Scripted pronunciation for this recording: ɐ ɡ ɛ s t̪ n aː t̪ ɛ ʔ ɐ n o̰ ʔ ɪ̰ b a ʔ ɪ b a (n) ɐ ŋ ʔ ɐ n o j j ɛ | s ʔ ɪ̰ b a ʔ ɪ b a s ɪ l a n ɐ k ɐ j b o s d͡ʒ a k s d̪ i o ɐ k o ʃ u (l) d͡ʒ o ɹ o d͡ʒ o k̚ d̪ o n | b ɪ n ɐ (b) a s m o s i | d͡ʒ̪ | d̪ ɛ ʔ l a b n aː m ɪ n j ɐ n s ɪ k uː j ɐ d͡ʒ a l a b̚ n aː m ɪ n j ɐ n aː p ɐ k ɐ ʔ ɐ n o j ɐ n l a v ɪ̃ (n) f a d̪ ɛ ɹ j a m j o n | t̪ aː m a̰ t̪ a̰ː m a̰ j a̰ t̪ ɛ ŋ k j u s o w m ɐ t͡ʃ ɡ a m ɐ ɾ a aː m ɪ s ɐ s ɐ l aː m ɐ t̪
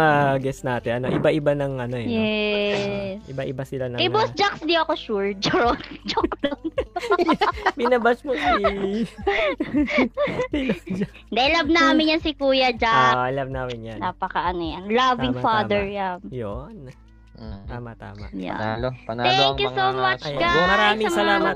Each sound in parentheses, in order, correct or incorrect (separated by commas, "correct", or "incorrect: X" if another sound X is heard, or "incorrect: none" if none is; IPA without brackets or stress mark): correct, incorrect: ɹ, correct, incorrect: ŋ